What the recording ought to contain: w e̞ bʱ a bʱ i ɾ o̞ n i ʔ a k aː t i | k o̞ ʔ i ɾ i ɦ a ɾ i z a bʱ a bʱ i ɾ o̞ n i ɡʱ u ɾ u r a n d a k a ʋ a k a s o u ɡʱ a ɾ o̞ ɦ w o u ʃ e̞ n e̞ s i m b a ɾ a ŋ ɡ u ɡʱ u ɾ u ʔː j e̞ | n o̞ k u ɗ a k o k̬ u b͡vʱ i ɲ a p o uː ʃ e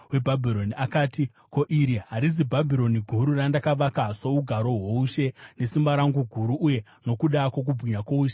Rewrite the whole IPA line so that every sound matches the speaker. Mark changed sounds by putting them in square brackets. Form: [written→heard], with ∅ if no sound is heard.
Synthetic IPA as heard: w e̞ bʱ a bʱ i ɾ o̞ n i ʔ a k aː t i | k o̞ ʔ i ɾ i ɦ a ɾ i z [a→i] bʱ a bʱ i ɾ o̞ n i ɡʱ u ɾ u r a n d a k a ʋ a k a s o u ɡʱ a ɾ o̞ ɦ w o u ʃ e̞ n e̞ s i m b a ɾ a ŋ ɡ u ɡʱ u ɾ u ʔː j e̞ | n o̞ k u ɗ a k o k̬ u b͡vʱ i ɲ a [p→k] o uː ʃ e

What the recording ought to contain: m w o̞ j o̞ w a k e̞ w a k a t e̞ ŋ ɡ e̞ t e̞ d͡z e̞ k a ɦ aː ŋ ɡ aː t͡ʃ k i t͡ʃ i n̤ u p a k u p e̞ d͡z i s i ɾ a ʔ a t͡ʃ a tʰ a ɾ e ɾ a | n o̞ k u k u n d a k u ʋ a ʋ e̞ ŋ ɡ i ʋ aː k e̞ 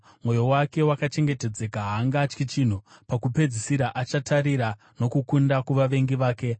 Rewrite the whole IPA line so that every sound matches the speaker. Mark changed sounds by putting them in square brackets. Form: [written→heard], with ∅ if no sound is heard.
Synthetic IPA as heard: m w o̞ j o̞ w a k e̞ w a k a [t→t͡ʃ] e̞ ŋ ɡ e̞ t e̞ d͡z e̞ k a ɦ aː ŋ ɡ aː t͡ʃ k i t͡ʃ i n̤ u p a k u p e̞ d͡z i s i ɾ a ʔ a t͡ʃ a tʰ a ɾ [e→i] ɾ a | n o̞ k u k u n d a k u ʋ a ʋ e̞ ŋ ɡ i ʋ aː k e̞

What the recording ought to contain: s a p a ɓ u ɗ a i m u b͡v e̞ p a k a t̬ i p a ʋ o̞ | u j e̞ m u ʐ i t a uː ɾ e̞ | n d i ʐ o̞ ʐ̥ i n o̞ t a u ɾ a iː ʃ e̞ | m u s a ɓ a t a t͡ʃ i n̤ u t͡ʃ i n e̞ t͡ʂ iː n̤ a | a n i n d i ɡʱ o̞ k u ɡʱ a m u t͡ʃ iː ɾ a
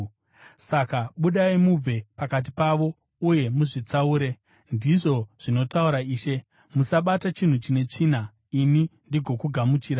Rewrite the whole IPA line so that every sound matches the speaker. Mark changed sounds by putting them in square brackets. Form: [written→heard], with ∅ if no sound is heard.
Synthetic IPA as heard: s a [p→k] a ɓ u ɗ a i m u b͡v e̞ p a k a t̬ i p a ʋ o̞ | u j e̞ m u ʐ i [t→t͡s] a uː ɾ e̞ | n d i ʐ o̞ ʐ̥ i n o̞ t a u ɾ a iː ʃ e̞ | m u s a ɓ a t a t͡ʃ i n̤ u t͡ʃ i n e̞ t͡ʂ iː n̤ a | [a→i] n i n d i ɡʱ o̞ k u ɡʱ a m u t͡ʃ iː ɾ a

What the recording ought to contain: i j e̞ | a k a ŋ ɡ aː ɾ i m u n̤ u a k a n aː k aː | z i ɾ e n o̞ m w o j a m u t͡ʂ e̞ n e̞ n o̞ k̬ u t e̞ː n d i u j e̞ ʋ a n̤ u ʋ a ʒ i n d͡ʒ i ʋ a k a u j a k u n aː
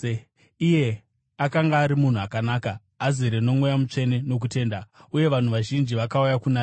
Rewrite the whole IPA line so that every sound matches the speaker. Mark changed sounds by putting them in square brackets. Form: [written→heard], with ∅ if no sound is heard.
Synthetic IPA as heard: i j e̞ | a k a ŋ ɡ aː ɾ i m u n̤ u a k a n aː k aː | z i ɾ e n o̞ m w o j a m u t͡ʂ e̞ n e̞ n o̞ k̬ u t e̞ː n d [i→a] u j e̞ ʋ a n̤ u ʋ a ʒ i n d͡ʒ i ʋ a k a u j a k u n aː

